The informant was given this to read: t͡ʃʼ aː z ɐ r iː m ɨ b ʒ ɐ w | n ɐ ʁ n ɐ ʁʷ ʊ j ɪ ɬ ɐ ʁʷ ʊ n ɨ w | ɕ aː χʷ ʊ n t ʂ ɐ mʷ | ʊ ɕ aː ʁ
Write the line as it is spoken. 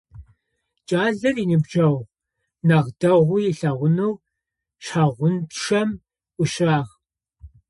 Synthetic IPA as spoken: t͡ʃʼ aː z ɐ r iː n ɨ b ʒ ɐ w | n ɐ ʁ d ɐ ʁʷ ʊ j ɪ ɬ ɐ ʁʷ ʊ n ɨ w | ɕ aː ʁʷ ʊ n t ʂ ɐ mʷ | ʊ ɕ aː ʁ